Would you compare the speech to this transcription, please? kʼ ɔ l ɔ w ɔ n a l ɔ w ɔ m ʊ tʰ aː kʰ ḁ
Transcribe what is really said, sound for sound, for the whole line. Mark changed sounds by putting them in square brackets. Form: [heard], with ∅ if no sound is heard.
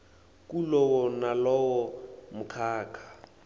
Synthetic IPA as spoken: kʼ [u] l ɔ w ɔ n a l ɔ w ɔ m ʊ [kʰ] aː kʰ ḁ

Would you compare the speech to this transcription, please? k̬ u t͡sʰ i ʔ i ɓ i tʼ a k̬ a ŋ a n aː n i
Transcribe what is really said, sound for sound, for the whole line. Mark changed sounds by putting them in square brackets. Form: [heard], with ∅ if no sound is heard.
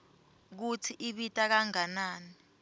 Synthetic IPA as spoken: k̬ u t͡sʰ i ʔ i ɓ i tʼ a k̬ a ŋ a n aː n i

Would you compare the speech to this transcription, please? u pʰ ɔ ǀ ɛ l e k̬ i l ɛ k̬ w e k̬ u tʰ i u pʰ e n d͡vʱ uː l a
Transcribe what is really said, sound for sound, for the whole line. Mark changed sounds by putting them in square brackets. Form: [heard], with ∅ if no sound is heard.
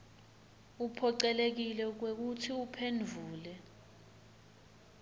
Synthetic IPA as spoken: u pʰ ɔ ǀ ɛ l e k̬ i l ɛ k̬ w e k̬ u tʰ i u pʰ e n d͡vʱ uː l [ɛ]

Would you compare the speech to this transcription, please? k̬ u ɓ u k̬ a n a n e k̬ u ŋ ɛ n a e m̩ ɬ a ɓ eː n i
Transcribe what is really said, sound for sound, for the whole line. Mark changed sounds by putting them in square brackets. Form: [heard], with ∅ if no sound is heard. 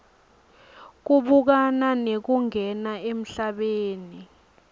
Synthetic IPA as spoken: k̬ u ɓ u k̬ a n a n e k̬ u ŋ ɛ n a e m̩ ɬ a ɓ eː n i

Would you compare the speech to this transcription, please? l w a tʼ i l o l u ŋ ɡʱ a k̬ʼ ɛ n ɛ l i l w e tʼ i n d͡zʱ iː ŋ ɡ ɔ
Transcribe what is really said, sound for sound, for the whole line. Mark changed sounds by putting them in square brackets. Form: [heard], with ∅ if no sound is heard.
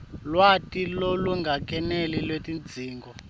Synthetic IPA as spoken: l w a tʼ i l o l u ŋ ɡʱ a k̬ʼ ɛ n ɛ l i l w e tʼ i n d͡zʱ iː ŋ ɡ ɔ

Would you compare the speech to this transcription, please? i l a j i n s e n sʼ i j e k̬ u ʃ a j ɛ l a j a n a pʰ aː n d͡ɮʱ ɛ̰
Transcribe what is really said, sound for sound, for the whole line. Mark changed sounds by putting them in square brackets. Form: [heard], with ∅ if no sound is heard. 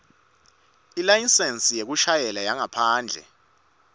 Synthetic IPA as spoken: i l a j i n s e n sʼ i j e k̬ u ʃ a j ɛ l a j a [ŋ] a pʰ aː n d͡ɮʱ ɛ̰

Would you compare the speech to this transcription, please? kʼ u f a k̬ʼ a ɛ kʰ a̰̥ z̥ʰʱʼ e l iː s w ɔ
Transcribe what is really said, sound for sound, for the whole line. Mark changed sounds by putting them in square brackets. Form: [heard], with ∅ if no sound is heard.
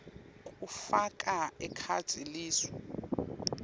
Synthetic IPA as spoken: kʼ u f a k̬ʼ a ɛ kʰ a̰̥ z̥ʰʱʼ [i] l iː s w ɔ

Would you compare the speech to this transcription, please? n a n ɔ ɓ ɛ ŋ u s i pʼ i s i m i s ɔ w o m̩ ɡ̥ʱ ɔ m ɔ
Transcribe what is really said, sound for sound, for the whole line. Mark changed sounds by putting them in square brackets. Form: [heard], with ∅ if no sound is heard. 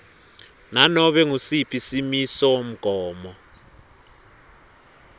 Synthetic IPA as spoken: n a n ɔ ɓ ɛ ŋ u s i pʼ i s i m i s ɔ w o m̩ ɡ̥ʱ [ɔː] m ɔ

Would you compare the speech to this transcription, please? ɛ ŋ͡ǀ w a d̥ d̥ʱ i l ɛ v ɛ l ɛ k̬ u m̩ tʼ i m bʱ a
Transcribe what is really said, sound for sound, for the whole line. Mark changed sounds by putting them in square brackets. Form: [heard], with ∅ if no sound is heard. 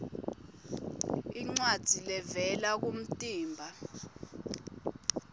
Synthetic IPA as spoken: [i] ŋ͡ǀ w a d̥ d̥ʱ i l ɛ v ɛ l [a] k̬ u m̩ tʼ [iː] m bʱ a

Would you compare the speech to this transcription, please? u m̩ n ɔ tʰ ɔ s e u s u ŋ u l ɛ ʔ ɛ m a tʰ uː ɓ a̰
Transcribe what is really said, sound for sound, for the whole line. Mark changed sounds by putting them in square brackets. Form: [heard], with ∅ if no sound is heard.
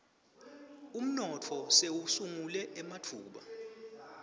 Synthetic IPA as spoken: u m̩ n ɔ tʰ ɔ s e u s u ŋ u l ɛ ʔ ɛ m a tʰ uː ɓ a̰

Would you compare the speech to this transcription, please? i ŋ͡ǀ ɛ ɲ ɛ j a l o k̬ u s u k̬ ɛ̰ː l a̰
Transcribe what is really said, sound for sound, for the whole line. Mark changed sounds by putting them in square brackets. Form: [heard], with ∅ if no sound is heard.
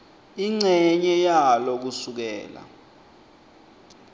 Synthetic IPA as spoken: i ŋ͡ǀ ɛ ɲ ɛ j a l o k̬ u s u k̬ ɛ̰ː l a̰

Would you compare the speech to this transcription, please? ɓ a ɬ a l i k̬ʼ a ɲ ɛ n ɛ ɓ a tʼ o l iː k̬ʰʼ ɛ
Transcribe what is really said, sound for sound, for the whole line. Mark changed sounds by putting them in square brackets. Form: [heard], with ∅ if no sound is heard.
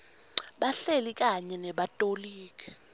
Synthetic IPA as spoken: ɓ a ɬ [e] l i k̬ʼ a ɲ ɛ n ɛ ɓ a tʼ o l iː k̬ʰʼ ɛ

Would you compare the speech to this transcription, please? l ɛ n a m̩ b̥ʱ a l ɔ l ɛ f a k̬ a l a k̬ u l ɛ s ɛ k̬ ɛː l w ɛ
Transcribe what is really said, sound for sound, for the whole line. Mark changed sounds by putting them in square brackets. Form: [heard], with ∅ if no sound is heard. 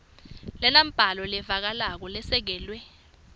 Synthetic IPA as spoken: l ɛ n a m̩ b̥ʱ a l ɔ l ɛ [v] a k̬ a l a k̬ [ɔ] l ɛ s ɛ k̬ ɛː l w ɛ

